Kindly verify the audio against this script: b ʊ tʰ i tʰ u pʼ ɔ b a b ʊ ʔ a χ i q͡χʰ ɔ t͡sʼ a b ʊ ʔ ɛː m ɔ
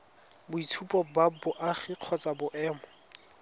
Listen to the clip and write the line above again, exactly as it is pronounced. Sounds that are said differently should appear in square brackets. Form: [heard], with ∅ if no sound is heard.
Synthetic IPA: b ʊ [∅] i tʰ u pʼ ɔ b a b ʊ ʔ a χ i q͡χʰ ɔ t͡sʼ a b ʊ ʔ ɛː m ɔ